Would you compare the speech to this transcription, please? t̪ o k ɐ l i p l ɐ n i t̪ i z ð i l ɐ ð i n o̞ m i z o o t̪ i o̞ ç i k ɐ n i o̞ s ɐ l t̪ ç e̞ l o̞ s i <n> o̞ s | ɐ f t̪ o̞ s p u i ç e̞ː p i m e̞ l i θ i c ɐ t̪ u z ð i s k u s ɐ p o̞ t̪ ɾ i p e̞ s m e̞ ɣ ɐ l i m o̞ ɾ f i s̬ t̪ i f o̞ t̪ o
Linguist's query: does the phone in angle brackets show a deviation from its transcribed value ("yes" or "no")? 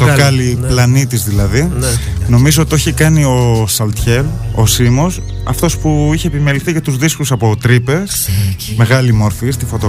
yes